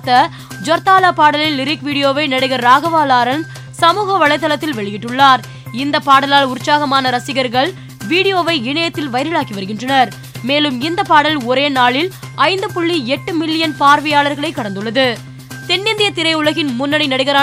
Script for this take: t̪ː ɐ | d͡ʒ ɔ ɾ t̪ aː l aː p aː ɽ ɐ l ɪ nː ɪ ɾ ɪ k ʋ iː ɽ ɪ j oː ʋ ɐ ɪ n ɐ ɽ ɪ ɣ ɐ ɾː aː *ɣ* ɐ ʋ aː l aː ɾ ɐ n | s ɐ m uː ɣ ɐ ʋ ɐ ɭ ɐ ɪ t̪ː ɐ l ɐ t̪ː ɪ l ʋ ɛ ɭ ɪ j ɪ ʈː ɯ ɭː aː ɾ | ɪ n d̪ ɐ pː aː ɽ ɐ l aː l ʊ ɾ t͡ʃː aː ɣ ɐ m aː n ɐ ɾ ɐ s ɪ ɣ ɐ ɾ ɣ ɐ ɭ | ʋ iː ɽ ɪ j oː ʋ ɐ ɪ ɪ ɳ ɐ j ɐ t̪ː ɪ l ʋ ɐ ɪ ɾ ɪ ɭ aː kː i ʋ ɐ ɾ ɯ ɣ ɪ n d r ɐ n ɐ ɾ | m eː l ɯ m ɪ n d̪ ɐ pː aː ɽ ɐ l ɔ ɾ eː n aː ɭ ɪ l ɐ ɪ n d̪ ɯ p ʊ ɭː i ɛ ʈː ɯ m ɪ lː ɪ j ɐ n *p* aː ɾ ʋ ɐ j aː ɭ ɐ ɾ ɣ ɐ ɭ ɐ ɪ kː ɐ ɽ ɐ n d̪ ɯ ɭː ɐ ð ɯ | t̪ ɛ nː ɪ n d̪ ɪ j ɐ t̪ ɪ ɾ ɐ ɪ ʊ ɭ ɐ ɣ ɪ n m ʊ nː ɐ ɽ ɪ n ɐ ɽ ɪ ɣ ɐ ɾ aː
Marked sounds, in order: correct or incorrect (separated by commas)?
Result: correct, correct